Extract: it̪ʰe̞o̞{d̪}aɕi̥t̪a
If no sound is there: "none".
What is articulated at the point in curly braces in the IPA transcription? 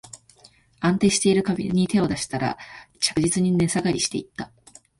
d̪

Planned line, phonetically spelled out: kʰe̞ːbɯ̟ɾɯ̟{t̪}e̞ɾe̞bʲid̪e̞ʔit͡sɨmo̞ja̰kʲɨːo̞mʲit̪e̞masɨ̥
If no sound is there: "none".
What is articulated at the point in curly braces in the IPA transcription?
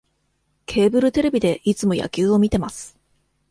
t̪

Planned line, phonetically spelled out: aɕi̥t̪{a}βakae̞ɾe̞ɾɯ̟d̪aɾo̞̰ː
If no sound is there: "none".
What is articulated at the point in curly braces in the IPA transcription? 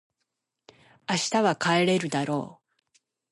a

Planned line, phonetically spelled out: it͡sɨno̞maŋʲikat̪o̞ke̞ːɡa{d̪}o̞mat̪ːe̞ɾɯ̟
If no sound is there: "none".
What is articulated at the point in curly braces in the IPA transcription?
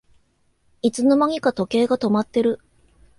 t̪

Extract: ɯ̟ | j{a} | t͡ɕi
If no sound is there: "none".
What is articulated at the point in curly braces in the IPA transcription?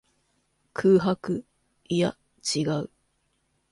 a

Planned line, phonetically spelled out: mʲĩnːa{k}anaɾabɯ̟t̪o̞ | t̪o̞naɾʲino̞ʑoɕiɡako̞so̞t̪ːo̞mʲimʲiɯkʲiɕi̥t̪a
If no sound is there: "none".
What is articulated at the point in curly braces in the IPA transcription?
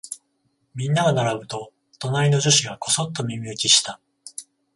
ɡ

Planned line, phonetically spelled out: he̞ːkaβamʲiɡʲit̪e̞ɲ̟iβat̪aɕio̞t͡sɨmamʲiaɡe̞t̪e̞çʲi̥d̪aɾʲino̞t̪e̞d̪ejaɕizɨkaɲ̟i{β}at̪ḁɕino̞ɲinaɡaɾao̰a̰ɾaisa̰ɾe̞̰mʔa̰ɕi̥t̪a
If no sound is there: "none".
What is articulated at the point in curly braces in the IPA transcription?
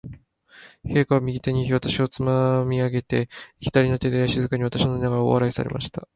β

